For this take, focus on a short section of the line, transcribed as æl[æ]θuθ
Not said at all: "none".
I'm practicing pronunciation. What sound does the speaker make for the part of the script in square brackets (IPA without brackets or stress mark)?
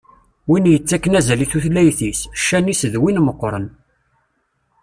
i